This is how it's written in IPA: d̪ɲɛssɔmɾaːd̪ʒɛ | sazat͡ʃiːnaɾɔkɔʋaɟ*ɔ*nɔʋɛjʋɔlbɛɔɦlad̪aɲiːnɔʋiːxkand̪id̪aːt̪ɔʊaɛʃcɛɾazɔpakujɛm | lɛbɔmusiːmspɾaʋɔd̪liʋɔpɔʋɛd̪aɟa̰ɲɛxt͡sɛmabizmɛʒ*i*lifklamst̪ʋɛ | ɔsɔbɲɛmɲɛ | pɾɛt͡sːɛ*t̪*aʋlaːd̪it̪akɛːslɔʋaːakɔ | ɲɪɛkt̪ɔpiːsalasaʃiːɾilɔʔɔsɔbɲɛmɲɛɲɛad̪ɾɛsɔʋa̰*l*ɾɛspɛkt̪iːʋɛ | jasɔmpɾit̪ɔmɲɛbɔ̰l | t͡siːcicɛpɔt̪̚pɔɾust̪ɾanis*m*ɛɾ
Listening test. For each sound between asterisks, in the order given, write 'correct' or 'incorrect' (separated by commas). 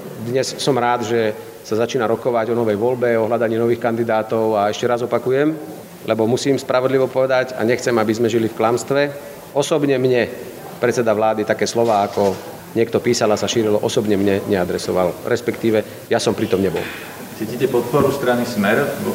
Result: correct, correct, incorrect, correct, correct